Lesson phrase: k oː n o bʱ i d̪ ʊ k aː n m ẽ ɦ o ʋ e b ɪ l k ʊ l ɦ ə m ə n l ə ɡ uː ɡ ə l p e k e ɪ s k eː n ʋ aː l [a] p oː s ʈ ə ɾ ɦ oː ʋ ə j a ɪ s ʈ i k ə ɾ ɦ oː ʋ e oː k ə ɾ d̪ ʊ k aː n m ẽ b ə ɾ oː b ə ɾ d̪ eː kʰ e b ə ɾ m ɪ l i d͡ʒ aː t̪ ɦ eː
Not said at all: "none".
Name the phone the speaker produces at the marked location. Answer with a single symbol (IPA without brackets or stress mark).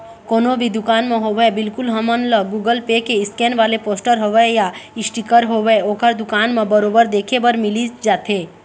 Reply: e